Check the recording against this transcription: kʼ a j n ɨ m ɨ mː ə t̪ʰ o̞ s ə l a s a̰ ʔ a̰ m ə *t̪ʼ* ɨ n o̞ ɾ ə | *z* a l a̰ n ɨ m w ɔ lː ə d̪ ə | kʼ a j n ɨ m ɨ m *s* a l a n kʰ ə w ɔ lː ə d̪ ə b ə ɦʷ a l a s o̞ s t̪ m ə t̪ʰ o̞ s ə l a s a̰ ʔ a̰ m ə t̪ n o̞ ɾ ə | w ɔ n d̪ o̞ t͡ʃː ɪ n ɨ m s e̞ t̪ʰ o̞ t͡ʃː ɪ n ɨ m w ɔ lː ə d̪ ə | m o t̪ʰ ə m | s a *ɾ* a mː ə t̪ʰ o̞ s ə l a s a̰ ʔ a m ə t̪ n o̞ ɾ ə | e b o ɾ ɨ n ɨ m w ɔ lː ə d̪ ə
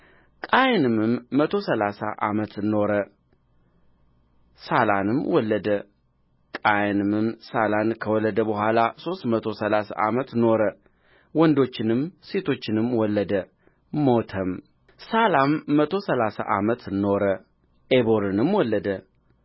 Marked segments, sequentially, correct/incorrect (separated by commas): incorrect, incorrect, correct, incorrect